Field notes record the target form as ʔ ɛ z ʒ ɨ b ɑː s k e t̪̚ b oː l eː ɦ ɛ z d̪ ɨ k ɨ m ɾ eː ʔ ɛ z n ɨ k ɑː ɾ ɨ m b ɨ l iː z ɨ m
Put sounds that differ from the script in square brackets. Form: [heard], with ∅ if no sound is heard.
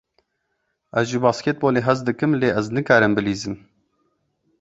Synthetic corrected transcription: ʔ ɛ z ʒ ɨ b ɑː s k e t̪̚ b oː l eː ɦ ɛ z d̪ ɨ k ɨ m [l] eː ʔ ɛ z n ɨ k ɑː ɾ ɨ m b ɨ l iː z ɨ m